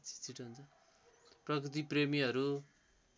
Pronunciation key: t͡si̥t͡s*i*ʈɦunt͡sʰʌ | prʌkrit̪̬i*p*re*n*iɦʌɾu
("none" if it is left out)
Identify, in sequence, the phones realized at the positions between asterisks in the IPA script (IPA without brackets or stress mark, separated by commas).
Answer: i, p, m